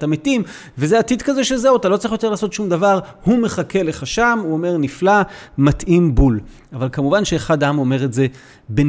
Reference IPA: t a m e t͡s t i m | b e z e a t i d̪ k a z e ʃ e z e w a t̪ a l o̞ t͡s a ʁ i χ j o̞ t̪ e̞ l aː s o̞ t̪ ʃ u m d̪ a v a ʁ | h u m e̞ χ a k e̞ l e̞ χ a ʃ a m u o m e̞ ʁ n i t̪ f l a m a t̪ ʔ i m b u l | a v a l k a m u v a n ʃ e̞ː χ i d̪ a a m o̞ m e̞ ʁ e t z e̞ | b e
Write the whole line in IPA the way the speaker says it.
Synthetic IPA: t a m e t i m | v e z e a t i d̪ k a z e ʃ e z e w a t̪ a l o̞ t͡s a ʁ i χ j o̞ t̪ e̞ l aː s o̞ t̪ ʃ u m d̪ a v a ʁ | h u m e̞ χ a k e̞ l e̞ χ a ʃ a m u o m e̞ ʁ n i f l a m a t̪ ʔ i m b u l | a v a l k a m u v a n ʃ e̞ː χ a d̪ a a m o̞ m e̞ ʁ e t z e̞ | b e